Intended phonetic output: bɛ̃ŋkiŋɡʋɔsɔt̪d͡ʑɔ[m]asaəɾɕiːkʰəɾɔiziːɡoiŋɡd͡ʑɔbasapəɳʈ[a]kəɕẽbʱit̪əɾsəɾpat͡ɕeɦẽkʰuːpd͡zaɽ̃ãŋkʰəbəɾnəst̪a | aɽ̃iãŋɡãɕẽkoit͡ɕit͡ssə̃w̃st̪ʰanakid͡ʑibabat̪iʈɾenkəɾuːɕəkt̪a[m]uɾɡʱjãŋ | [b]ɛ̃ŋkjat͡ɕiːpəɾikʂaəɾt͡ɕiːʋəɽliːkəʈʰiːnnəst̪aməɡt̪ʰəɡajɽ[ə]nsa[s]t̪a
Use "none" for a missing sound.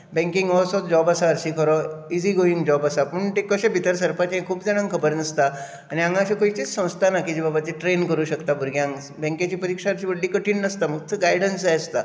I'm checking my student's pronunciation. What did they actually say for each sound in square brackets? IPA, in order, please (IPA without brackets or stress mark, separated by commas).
b, e, b, b, ə, s